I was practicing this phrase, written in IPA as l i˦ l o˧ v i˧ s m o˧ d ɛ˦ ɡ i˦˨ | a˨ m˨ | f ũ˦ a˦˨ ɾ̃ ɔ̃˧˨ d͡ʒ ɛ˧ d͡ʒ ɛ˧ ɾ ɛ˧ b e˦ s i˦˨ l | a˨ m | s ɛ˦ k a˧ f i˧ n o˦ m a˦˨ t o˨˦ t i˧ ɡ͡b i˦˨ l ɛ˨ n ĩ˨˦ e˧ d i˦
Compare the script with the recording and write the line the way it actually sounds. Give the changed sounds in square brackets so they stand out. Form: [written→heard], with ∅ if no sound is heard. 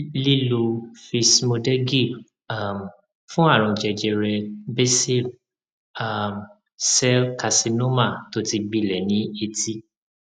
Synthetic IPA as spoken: l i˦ l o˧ [v→f] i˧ s m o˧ d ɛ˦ ɡ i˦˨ | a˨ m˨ | f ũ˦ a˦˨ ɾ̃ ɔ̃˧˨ d͡ʒ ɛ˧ d͡ʒ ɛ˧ ɾ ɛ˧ b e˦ s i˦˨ l | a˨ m | s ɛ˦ k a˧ [f→s] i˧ n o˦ m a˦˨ t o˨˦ t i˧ ɡ͡b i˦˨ l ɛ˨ n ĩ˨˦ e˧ [d→t] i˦